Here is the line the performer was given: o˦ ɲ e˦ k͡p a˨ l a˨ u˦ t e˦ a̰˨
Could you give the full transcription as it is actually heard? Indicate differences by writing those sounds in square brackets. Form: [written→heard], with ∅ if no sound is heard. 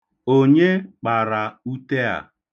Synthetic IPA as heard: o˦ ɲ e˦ k͡p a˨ [l→ɾ] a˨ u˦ t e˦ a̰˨